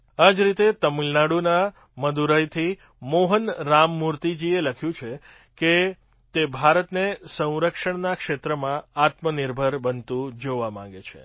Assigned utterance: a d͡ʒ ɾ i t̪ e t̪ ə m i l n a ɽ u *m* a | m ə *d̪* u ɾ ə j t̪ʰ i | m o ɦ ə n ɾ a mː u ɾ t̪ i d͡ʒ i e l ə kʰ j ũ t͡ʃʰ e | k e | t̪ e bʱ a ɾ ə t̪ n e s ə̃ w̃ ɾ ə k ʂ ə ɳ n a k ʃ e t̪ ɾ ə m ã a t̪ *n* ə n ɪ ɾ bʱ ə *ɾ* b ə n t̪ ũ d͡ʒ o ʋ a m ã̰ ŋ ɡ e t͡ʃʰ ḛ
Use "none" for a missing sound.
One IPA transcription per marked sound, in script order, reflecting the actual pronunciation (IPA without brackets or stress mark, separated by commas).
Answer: n, d̪, m, ɾ